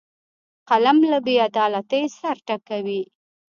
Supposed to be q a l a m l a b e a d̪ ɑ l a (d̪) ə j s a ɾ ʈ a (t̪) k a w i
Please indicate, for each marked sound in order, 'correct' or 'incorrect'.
incorrect, incorrect

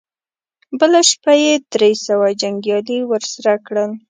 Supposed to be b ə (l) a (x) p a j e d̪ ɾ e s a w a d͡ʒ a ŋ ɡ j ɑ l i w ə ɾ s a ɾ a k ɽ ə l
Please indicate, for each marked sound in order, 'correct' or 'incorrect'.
correct, incorrect

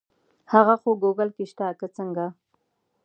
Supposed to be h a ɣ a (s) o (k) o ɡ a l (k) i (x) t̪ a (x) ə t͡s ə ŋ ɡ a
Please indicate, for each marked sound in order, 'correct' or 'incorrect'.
incorrect, incorrect, correct, incorrect, incorrect

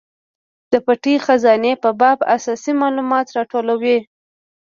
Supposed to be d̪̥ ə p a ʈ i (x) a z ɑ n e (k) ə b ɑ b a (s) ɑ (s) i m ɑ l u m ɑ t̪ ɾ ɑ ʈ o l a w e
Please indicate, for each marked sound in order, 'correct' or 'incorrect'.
correct, incorrect, correct, correct

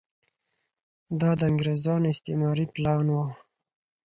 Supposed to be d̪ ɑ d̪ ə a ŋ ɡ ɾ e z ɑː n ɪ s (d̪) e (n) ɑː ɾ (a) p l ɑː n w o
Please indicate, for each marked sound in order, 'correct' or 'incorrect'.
incorrect, incorrect, incorrect

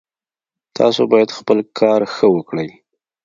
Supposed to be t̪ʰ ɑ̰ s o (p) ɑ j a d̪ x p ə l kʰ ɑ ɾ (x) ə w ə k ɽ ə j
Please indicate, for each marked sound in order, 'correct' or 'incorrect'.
incorrect, correct

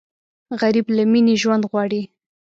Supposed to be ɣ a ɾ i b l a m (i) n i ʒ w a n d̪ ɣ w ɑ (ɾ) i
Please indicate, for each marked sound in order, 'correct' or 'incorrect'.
correct, incorrect

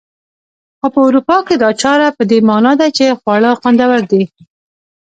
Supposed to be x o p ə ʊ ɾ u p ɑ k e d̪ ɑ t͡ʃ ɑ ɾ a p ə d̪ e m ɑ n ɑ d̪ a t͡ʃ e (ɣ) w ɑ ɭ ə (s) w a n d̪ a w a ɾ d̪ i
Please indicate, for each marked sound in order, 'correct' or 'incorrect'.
incorrect, incorrect

